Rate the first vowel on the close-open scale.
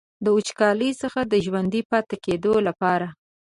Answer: mid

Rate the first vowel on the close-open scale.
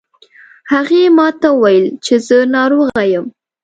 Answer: open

